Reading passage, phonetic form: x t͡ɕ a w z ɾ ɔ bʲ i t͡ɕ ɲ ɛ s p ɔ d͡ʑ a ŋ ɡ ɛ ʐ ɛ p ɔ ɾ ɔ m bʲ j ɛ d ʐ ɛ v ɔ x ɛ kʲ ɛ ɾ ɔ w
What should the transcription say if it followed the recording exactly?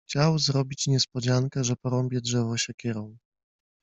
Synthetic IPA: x t͡ɕ a w z ɾ ɔ bʲ i t͡ɕ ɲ ɛ s p ɔ d͡ʑ a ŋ k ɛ ʐ ɛ p ɔ ɾ ɔ m bʲ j ɛ d ʐ ɛ v ɔ ɕ ɛ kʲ ɛ ɾ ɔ w